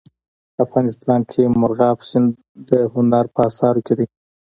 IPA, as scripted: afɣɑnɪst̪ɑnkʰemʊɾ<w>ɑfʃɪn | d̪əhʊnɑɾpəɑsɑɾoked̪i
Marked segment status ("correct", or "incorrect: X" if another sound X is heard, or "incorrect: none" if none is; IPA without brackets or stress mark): incorrect: ɣ